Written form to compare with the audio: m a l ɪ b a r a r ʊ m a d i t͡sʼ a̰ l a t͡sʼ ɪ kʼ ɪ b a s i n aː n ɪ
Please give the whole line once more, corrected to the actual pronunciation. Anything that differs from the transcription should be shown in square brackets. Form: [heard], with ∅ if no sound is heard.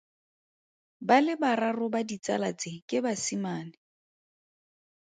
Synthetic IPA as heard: [b] a l ɪ b a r a r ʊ [b] a d i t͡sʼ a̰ l a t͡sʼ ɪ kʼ ɪ b a s i [m] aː n ɪ